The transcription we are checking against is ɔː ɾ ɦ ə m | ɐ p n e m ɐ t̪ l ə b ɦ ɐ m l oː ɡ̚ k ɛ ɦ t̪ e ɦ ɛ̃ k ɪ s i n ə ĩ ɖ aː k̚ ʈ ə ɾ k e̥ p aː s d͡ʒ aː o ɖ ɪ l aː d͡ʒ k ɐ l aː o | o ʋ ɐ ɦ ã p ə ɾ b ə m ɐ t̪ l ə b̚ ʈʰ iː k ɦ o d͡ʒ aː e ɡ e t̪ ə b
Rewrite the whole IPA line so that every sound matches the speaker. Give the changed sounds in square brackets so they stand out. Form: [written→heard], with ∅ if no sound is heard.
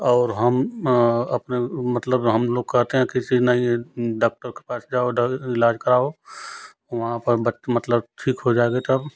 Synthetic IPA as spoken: ɔː ɾ ɦ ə m | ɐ p n e m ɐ t̪ l ə b ɦ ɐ m l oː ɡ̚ k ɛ ɦ t̪ e ɦ ɛ̃ k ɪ s i n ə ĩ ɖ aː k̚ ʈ ə ɾ k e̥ p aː s d͡ʒ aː o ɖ ɪ l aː d͡ʒ k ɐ [l→ɾ] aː o | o ʋ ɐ ɦ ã p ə ɾ b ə m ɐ t̪ l ə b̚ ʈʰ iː k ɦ o d͡ʒ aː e ɡ e t̪ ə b